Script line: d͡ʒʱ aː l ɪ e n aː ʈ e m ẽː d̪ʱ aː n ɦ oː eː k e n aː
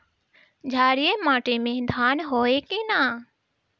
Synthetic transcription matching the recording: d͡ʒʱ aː ɾ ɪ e m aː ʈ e m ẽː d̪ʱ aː n ɦ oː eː k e n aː